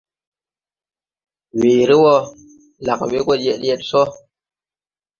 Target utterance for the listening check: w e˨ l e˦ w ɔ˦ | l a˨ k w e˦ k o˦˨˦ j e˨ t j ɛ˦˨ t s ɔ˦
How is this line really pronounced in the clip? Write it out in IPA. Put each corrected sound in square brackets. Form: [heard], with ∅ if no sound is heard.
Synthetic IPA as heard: w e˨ [ɾ] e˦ w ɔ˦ | l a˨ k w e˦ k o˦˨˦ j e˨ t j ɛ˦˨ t s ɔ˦